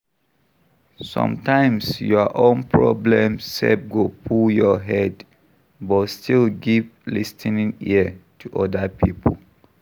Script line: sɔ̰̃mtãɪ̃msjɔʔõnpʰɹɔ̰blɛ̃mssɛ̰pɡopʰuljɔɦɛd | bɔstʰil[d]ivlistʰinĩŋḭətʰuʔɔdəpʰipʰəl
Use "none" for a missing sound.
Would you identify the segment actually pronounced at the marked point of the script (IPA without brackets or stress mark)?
ɡ